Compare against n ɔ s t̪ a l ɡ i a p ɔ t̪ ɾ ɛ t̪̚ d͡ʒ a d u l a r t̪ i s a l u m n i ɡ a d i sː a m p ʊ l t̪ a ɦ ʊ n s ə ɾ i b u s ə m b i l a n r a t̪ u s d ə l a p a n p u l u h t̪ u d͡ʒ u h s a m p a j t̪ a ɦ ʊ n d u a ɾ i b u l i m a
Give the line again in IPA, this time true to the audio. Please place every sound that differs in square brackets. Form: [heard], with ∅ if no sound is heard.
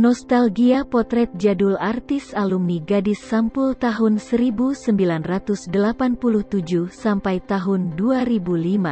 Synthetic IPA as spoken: n ɔ s t̪ a l ɡ i a p ɔ t̪ ɾ ɛ t̪̚ d͡ʒ a d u l a r t̪ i s a l u m n i ɡ a d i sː a m p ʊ l t̪ a ɦ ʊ n s ə ɾ i b u s ə m b i l a n r a t̪ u s d ə l a p a n p u l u h t̪ u d͡ʒ u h s a m p a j t̪ a ɦ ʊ n d u a ɾ i b u l i m a

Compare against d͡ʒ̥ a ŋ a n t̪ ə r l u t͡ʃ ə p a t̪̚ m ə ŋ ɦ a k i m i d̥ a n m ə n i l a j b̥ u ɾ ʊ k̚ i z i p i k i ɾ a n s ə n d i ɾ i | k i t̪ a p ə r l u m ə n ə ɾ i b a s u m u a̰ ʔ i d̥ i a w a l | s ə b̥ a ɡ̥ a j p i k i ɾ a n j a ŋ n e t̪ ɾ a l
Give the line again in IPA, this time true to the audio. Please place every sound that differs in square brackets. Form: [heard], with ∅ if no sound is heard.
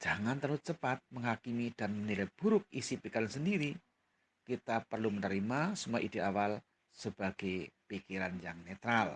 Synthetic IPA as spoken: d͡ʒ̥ a ŋ a n t̪ ə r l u t͡ʃ ə p a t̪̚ m ə ŋ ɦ a k i m i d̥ a n m ə n i l a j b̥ u ɾ ʊ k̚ i [s] i p i k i ɾ a n s ə n d i ɾ i | k i t̪ a p ə r l u m ə n ə ɾ i [m] a s u m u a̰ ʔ i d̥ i a w a l | s ə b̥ a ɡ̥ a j p i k i ɾ a n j a ŋ n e t̪ ɾ a l

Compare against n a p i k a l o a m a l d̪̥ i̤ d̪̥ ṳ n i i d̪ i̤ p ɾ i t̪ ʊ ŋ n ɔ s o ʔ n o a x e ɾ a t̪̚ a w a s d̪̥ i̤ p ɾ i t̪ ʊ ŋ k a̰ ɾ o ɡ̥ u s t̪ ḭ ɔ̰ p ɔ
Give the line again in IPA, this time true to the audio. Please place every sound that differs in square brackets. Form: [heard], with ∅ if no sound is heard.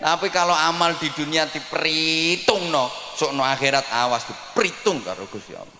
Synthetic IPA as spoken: n a p i k a l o a m a l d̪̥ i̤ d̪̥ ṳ n i [a] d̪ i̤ p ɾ i t̪ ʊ ŋ n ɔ s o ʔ n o a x e ɾ a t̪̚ a w a s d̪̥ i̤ p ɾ i t̪ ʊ ŋ k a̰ ɾ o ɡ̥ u s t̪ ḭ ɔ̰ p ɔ

